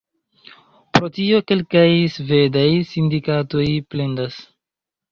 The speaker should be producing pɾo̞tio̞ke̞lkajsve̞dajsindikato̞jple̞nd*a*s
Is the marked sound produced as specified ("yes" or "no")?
yes